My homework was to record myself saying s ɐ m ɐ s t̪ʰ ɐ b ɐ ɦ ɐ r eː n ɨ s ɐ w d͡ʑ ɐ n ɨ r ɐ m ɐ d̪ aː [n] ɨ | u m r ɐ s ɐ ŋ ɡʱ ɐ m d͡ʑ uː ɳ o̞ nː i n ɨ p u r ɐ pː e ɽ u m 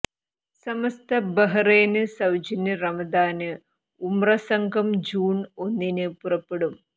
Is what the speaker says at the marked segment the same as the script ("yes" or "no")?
yes